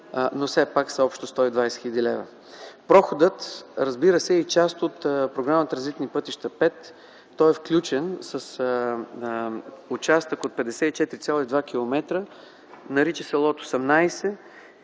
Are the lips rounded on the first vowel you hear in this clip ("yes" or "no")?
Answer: yes